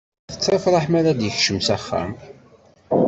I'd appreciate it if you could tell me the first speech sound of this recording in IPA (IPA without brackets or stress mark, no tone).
θ